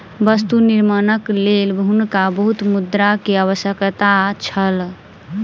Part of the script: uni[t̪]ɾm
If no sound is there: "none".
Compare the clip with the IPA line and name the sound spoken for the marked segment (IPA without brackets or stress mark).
none